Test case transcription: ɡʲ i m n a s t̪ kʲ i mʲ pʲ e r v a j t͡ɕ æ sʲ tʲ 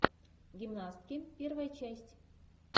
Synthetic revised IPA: ɡʲ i m n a s t̪ kʲ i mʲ pʲ e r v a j t͡ɕ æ sʲ tʲ